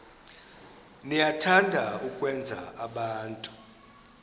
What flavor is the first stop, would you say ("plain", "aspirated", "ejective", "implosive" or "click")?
aspirated